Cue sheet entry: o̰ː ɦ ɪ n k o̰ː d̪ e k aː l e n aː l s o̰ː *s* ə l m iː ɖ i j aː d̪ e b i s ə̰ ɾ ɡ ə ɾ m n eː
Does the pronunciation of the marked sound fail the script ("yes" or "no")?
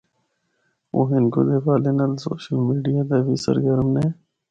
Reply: yes